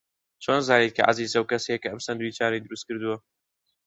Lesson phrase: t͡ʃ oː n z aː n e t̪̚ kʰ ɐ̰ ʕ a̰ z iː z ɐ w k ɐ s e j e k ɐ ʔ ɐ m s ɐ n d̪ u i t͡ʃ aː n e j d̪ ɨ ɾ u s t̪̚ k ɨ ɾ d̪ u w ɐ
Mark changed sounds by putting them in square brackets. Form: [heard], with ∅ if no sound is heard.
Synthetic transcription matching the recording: t͡ʃ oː n z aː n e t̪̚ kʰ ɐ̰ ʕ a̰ z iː z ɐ w k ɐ s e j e k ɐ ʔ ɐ m s ɐ n d̪ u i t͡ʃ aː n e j d̪ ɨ ɾ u s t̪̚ k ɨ ɾ d̪ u w ɐ